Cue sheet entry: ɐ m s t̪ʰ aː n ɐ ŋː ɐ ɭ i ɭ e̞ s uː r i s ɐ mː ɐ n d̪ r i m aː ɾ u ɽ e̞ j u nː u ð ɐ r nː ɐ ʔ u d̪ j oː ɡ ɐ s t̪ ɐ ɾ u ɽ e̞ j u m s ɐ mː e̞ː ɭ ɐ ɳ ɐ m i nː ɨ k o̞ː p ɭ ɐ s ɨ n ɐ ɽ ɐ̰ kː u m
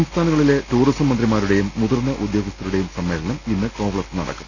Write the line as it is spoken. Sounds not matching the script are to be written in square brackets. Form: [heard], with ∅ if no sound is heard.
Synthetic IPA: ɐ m s t̪ʰ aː n ɐ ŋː ɐ ɭ i [l] e̞ [t] uː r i s ɐ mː ɐ n d̪ r i m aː ɾ u ɽ e̞ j u [mː] u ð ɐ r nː ɐ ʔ u d̪ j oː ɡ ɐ s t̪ ɐ ɾ u ɽ e̞ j u m s ɐ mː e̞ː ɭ ɐ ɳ ɐ m i nː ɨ k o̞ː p ɭ ɐ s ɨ n ɐ ɽ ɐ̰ kː u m